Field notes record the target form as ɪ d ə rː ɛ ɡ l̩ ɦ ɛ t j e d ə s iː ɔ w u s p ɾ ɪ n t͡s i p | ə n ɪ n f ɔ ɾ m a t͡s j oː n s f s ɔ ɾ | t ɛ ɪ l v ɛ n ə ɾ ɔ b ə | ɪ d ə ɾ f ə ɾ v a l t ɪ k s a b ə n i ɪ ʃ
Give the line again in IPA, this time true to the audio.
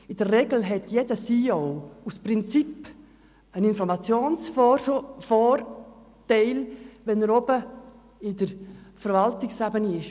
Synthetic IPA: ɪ d ə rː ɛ ɡ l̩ ɦ ɛ t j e d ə s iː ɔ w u s p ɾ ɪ n t͡s i p | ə n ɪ n f ɔ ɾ m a t͡s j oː n s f f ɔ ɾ | t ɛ ɪ l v ɛ n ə ɾ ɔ b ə | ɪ d ə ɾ f ə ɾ v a l t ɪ k s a b ə n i ɪ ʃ